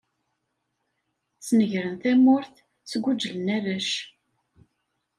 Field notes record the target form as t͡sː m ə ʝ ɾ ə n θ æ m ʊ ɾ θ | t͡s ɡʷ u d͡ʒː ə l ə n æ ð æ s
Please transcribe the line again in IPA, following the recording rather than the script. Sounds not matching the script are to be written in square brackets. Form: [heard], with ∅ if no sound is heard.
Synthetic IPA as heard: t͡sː [n] ə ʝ ɾ ə n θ æ m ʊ ɾ θ | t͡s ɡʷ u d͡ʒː ə l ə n æ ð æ [ʃ]

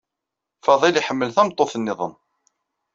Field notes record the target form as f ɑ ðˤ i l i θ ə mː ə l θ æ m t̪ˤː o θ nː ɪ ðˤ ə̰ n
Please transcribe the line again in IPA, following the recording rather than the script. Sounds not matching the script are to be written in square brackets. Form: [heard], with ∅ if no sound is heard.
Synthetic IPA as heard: f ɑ ðˤ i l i [ħ] ə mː ə l θ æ m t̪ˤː o θ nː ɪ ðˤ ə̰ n

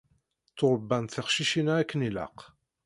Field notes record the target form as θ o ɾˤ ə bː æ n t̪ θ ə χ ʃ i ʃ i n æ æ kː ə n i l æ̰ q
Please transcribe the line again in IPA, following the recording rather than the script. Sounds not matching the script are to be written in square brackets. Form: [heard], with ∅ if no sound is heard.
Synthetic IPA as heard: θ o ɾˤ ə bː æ n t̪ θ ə χ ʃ i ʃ i n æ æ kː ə n i l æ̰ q

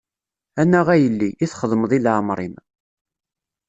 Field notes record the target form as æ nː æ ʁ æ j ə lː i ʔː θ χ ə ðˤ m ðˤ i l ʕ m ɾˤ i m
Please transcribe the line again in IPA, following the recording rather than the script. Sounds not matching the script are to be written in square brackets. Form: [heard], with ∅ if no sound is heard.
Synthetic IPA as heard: æ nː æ ʁ æ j ə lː i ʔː θ χ ə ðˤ m ðˤ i l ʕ m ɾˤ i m

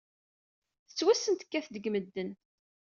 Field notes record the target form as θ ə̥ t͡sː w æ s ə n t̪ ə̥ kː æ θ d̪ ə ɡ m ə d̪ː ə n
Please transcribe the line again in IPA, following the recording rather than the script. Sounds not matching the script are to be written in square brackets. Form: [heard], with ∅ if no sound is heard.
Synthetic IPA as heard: θ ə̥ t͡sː w æ s ə n t̪ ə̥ kː æ θ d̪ ə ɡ m ə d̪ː ə n

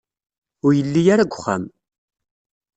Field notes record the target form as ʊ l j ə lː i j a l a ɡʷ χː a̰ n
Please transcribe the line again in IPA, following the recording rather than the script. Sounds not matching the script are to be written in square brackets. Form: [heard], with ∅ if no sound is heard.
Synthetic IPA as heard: ʊ [ɾ] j ə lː i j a [ɾ] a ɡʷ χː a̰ [m]

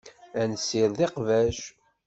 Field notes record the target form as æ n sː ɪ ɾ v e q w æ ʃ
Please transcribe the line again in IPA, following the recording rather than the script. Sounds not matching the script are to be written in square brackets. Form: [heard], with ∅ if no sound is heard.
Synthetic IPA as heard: æ n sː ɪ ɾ [ð] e q [v] æ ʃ

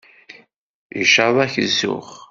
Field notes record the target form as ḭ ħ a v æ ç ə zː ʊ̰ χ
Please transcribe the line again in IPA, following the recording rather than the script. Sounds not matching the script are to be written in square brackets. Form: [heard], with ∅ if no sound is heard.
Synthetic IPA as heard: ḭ [ʃ] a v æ ç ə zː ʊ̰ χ

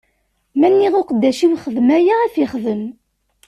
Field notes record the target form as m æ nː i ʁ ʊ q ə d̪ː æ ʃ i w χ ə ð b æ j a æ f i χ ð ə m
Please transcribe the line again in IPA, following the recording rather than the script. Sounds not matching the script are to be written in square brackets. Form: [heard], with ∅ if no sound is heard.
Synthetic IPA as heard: m æ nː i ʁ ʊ q ə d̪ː æ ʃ i w χ ə ð [m] æ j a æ f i χ ð ə m

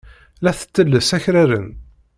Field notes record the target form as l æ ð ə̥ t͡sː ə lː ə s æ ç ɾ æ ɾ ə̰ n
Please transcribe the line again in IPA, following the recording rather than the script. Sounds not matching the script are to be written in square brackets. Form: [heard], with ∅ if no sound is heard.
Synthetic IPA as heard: l æ [θ] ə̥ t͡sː ə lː ə s æ ç ɾ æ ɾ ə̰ n

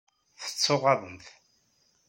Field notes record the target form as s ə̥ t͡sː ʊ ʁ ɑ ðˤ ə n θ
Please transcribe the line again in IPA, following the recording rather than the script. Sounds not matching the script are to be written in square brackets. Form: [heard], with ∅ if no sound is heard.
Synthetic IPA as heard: [θ] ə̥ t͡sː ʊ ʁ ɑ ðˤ ə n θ

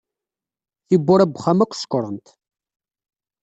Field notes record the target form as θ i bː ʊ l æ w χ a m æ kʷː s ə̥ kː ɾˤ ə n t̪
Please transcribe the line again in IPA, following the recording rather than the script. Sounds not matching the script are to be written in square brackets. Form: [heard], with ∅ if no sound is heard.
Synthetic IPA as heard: θ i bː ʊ [ɾ] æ [b] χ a m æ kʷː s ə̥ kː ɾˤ ə n t̪

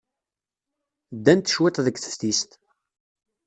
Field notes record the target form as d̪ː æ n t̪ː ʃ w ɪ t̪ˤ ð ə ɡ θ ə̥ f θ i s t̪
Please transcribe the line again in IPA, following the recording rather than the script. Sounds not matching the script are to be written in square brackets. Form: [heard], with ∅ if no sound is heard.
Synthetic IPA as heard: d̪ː æ n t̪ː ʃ w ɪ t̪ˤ ð ə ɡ θ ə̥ f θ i s t̪

